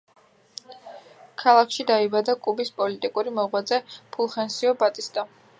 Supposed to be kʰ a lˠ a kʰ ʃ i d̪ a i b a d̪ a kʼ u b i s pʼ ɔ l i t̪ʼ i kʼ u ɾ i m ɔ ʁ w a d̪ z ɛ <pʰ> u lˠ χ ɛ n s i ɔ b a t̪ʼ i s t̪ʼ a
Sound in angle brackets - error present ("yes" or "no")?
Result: no